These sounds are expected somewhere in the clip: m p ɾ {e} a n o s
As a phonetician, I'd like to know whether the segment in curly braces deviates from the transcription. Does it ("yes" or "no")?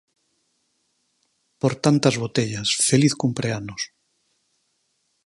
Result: no